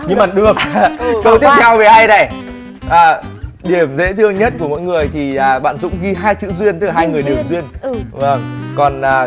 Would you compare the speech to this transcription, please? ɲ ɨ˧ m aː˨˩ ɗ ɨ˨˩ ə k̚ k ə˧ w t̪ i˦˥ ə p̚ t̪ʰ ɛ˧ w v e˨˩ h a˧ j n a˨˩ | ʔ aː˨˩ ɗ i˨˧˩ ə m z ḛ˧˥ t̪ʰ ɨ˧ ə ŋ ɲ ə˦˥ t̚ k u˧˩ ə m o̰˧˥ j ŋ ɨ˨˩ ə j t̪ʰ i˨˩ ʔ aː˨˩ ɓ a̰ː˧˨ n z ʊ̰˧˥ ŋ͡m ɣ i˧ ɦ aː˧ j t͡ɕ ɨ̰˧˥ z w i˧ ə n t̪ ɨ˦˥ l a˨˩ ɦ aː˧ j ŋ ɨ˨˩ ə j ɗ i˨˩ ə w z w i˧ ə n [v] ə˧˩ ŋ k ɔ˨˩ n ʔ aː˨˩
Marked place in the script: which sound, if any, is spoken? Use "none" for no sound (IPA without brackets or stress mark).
v